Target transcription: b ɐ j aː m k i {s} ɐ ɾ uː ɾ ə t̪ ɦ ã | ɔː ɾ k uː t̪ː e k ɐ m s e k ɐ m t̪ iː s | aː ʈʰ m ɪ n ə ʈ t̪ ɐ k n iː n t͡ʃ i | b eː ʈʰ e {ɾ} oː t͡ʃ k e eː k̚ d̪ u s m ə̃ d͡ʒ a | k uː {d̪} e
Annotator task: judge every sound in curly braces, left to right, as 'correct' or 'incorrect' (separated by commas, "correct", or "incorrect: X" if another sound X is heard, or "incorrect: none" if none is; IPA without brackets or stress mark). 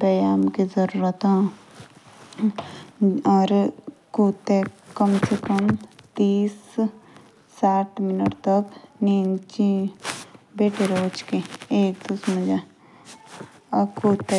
incorrect: z, correct, incorrect: t̪